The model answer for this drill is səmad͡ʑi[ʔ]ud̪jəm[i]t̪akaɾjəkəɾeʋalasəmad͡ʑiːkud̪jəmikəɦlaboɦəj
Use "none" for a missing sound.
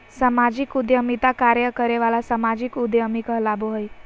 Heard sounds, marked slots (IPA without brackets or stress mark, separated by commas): k, i